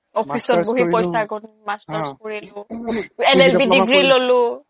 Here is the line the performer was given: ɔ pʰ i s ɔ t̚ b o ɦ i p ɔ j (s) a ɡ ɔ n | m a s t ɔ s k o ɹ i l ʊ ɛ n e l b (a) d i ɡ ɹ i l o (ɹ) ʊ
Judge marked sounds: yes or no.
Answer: yes, no, no

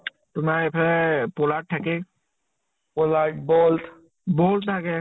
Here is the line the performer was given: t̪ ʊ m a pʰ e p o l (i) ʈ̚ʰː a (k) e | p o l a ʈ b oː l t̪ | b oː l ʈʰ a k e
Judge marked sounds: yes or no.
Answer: no, yes

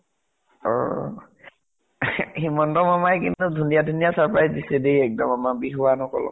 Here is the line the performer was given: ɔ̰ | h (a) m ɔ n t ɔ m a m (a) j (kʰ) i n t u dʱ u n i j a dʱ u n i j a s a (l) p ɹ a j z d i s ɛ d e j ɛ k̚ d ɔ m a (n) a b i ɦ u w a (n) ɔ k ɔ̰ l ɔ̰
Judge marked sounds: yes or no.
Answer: no, yes, no, no, no, yes

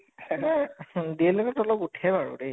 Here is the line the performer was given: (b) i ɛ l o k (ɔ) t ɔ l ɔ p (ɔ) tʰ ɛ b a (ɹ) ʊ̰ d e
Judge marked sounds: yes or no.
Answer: no, yes, no, yes

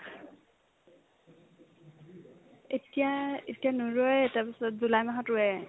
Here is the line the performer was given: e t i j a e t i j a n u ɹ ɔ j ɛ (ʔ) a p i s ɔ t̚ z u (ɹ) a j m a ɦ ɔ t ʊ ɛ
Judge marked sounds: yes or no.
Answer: no, no

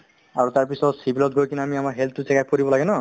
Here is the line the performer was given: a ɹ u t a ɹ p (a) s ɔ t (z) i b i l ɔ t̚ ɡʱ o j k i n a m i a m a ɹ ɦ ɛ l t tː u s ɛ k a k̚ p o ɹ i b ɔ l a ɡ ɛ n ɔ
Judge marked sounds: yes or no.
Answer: no, no

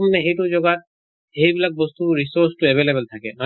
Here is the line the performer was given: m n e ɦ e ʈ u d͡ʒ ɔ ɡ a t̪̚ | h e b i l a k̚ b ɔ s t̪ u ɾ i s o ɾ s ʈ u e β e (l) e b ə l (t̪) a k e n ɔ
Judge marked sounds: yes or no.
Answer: yes, no

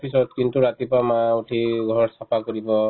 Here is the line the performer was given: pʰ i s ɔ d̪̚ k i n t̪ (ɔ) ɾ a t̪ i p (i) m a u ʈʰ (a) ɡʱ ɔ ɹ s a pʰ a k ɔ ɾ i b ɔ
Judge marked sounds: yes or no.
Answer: no, no, no

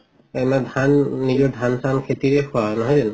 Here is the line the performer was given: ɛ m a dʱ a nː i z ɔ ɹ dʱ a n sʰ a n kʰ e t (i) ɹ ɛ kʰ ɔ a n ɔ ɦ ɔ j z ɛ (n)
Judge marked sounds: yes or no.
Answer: yes, yes

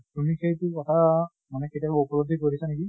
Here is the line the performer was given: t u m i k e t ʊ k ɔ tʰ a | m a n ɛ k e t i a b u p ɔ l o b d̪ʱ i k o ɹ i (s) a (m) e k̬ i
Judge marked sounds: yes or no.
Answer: yes, no

